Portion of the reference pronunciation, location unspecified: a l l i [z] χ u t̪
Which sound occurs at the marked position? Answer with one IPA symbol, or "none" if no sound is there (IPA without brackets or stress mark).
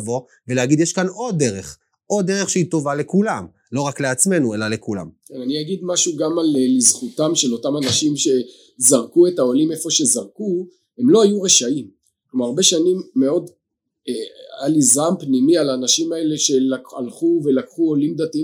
z